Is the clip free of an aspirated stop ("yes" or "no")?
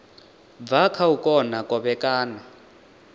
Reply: no